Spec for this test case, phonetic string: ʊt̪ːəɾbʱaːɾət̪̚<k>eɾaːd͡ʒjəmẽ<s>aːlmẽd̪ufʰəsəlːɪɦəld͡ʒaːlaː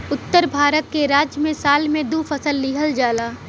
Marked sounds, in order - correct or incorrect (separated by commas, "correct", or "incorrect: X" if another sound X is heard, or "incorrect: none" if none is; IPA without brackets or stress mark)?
correct, correct